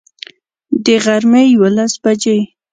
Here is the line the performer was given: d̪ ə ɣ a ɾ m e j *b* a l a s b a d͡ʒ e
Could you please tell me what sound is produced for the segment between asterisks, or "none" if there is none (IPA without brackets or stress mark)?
w